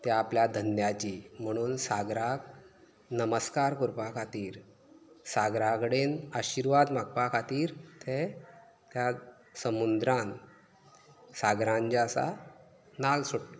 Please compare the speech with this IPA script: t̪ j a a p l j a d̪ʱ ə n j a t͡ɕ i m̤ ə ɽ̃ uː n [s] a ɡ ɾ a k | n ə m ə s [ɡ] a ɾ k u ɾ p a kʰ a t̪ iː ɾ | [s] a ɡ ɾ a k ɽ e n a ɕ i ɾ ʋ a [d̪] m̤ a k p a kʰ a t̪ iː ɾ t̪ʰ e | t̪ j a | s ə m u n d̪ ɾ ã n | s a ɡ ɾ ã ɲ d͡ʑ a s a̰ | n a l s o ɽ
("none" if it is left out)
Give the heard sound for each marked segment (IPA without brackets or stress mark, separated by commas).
s, k, s, d̪